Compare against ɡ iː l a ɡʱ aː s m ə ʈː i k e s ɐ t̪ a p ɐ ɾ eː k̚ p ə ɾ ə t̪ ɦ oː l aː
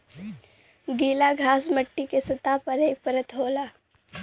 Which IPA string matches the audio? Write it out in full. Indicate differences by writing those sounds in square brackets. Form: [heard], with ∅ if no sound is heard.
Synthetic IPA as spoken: ɡ iː l a ɡʱ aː s m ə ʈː i k e s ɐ t̪ a p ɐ ɾ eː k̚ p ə ɾ ə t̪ ɦ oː l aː